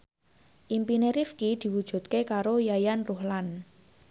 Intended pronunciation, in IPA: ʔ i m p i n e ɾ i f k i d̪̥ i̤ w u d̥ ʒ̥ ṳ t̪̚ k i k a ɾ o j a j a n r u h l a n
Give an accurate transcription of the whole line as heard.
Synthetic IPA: ʔ i m p i n e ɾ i f k i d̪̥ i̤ w u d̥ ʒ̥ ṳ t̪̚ k e k a ɾ o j a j a n r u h l a n